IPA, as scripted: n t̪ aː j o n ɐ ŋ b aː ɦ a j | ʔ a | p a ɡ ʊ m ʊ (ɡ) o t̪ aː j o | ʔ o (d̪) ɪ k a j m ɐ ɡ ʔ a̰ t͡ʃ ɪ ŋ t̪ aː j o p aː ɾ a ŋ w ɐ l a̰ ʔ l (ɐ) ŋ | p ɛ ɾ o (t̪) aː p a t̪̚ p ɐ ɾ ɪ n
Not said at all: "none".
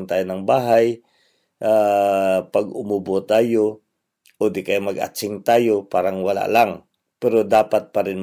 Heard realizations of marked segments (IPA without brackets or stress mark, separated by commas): b, d̪, a, d̪